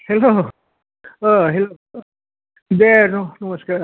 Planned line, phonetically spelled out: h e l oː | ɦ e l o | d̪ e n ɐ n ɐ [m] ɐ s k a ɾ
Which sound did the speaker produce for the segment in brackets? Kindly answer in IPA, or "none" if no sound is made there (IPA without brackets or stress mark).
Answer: m